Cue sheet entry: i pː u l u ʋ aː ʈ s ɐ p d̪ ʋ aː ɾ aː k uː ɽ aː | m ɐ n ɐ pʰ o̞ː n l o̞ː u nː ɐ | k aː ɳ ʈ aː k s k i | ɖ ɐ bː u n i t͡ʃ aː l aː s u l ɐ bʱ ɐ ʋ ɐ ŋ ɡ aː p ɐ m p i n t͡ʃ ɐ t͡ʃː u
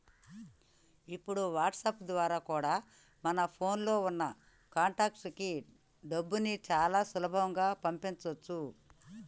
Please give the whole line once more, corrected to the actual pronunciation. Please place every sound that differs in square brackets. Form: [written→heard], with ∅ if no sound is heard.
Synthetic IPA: i pː u [l→ɽ] u ʋ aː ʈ s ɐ p d̪ ʋ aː ɾ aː k uː ɽ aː | m ɐ n ɐ pʰ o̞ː n l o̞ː u nː ɐ | k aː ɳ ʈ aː k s k i | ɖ ɐ bː u n i t͡ʃ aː l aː s u l ɐ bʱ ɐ ʋ ɐ ŋ ɡ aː p ɐ m p i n t͡ʃ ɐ t͡ʃː u